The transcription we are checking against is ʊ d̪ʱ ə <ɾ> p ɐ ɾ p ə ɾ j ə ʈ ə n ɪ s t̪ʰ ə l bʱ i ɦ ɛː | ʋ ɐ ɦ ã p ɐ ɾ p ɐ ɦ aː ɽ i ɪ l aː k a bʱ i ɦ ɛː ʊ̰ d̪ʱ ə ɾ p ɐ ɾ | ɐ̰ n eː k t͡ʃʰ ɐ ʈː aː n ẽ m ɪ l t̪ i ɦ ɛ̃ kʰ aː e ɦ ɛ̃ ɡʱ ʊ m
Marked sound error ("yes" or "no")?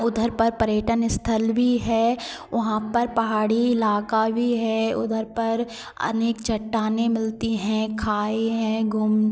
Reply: no